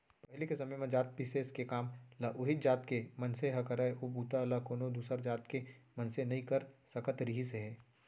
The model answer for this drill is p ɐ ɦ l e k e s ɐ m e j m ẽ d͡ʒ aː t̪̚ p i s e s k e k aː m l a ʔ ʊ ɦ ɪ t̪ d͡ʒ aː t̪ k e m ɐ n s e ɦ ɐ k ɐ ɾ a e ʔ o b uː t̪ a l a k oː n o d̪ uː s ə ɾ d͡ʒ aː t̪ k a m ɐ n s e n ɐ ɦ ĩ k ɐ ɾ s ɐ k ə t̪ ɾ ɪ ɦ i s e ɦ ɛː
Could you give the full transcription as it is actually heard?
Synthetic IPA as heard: p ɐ ɦ l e k e s ɐ m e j m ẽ d͡ʒ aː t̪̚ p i s e s k e k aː m l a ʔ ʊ ɦ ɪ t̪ d͡ʒ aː t̪ k e m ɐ n s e ɦ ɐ k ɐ ɾ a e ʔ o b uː t̪ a l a k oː n o d̪ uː s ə ɾ d͡ʒ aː t̪ k e m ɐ n s e n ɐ ɦ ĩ k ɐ ɾ s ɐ k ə t̪ ɾ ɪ ɦ i s e ɦ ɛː